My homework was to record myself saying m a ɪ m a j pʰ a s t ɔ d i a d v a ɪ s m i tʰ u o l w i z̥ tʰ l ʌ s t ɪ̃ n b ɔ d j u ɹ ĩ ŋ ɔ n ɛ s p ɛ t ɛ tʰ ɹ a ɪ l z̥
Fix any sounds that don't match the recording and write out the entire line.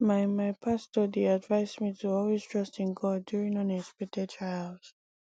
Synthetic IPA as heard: m a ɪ m a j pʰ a s t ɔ d i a d v a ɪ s m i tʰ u ɔ l w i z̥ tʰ ɹ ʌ s t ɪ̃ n ɡ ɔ d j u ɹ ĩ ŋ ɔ n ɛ s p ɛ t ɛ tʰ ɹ a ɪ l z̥